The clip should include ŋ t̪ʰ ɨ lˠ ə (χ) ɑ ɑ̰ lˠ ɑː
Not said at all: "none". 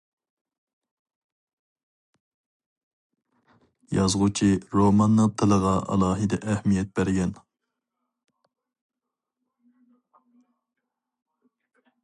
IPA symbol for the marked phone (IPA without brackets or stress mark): ʁ